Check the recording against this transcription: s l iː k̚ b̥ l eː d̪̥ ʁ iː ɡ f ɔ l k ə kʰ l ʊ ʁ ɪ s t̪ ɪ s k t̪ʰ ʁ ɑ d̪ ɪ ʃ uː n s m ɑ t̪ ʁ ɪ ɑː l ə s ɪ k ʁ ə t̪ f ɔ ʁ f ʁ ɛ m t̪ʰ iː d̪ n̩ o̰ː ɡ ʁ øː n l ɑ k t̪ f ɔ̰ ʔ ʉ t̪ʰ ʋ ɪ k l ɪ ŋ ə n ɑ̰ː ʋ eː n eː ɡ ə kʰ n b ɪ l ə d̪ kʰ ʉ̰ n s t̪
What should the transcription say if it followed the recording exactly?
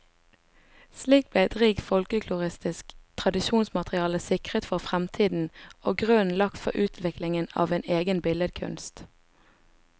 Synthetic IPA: s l iː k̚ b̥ l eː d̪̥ ʁ iː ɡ f ɔ l k ə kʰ l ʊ ʁ ɪ s t̪ ɪ s k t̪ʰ ʁ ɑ d̪ ɪ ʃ uː n s m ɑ t̪ ʁ ɪ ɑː l ə s ɪ k ʁ ə t̪ f ɔ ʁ f ʁ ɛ m t̪ʰ iː d̪ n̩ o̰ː ɡ ʁ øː n l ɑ k t̪ f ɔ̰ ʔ ʉː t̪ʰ ʋ ɪ k l ɪ ŋ ə n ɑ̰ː ʋ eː n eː ɡ ə n b ɪ l ə d̪ kʰ ʉ̰ n s t̪